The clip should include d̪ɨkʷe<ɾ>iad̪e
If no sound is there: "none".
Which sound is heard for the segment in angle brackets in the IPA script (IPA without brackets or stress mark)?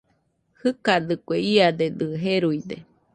none